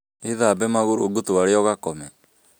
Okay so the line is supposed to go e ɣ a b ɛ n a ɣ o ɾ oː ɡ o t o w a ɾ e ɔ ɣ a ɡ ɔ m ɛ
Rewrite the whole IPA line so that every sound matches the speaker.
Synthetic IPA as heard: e ð a b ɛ m a ɣ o ɾ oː ɡ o t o w a ɾ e ɔ ɣ a k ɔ m ɛ

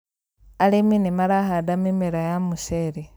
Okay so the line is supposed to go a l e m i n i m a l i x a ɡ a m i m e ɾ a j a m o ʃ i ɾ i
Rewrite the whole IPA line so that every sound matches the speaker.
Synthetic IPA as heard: a l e m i n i m a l a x a d a m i m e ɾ a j a m u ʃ e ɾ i

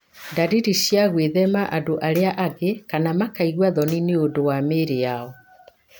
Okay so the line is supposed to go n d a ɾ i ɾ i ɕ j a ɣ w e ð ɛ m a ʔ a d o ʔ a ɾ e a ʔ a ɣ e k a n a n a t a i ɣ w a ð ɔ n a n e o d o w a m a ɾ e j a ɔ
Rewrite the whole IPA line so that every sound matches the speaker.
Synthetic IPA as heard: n d a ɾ i ɾ i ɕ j a ɣ w e ð ɛ m a ʔ a d o ʔ a ɾ e a ʔ a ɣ e k a n a m a k a i ɣ w a ð ɔ n i n e o d o w a m e ɾ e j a ɔ

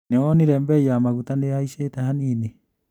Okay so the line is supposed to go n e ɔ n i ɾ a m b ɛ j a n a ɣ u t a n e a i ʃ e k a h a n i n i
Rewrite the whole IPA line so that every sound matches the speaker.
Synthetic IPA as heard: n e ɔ n i ɾ ɛ m b ɛ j a m a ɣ u t a n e a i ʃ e t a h a n i n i

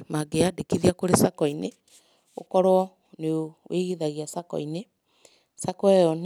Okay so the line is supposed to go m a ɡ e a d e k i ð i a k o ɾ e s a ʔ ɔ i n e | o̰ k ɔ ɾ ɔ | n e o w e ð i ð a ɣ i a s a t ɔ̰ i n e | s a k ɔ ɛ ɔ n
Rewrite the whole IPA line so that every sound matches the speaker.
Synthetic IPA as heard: m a ɡ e a d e k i ð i a k o ɾ e s a k ɔ i n e | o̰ k ɔ ɾ ɔ | n e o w e ɣ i ð a ɣ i a s a k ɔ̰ i n e | s a k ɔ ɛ ɔ n

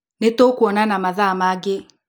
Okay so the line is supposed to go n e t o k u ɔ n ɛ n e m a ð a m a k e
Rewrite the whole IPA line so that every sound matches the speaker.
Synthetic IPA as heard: n e t o k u ɔ n a n a m a ð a m a ɡ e

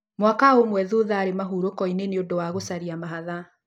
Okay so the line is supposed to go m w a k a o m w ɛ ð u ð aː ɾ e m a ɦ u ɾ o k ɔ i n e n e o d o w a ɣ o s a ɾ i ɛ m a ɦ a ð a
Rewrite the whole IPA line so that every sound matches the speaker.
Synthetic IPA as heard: m w a k a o m w ɛ ð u ð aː ɾ e m a ɦ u ɾ o k ɔ i n e n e o d o w a ɣ o s a ɾ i a m a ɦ a ð a

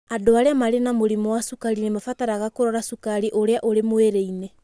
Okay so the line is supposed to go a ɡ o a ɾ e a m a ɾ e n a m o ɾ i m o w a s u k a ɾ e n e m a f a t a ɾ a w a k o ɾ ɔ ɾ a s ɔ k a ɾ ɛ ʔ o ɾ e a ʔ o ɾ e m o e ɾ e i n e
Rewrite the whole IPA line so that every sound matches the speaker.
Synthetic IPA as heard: a d o a ɾ e a m a ɾ e n a m o ɾ i m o w a s u k a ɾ i n e m a f a t a ɾ a ɣ a k o ɾ ɔ ɾ a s u k a ɾ i ʔ o ɾ e a ʔ o ɾ e m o e ɾ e i n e

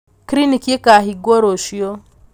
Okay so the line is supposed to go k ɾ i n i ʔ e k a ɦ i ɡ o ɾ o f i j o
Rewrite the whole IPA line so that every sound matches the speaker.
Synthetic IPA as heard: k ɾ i n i k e k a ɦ i ɡ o ɾ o ʃ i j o

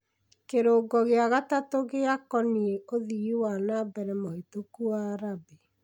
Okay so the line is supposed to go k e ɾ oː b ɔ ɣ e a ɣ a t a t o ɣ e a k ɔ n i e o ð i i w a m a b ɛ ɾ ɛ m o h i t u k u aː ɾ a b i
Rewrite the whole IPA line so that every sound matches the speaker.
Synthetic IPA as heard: k e ɾ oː ɡ ɔ ɣ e a ɣ a t a t o ɣ e a k ɔ n i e o ð i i w a n a b ɛ ɾ ɛ m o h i t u k u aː ɾ a b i

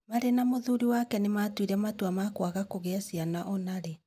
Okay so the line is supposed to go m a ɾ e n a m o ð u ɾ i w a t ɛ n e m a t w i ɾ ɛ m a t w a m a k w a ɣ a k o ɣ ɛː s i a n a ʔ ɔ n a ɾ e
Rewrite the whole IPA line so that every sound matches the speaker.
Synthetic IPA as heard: m a ɾ e n a m o ð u ɾ i w a k ɛ n e m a t w i ɾ ɛ m a t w a m a k w a ɣ a k o ɣ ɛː s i a n a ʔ ɔ n a ɾ e

